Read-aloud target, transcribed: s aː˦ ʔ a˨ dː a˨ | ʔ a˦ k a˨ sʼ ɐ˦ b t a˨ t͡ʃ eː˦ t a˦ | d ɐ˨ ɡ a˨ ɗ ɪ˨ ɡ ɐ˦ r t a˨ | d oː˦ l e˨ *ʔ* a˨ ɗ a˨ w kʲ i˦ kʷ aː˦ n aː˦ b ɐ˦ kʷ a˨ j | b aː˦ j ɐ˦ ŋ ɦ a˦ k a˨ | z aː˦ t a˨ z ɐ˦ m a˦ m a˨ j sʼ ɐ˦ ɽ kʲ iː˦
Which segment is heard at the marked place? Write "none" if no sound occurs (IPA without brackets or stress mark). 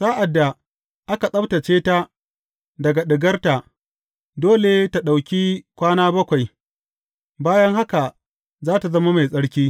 t